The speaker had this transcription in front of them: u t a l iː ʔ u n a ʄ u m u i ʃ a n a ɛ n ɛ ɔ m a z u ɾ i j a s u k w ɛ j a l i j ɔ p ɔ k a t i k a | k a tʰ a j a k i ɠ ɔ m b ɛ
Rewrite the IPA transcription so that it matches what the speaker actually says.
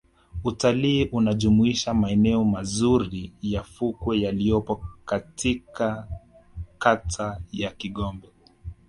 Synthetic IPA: u t a l iː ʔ u n a ʄ u m u i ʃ a m a ɛ n ɛ ɔ m a z u ɾ i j a f u k w ɛ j a l i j ɔ p ɔ k a t i k a | k a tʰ a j a k i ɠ ɔ m b ɛ